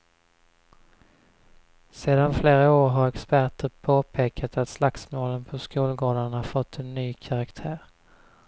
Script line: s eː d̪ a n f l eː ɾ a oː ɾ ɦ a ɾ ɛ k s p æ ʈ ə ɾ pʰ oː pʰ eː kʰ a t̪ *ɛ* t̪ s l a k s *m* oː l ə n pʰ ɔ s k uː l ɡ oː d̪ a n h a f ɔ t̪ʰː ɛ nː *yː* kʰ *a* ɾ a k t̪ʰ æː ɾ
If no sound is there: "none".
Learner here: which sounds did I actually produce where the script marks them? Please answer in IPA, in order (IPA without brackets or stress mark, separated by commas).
a, m, yː, a